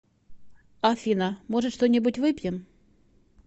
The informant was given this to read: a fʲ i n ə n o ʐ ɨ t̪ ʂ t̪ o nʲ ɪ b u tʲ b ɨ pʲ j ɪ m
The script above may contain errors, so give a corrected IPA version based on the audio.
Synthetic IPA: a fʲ i n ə m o ʐ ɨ t̪ ʂ t̪ o nʲ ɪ b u tʲ v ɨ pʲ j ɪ m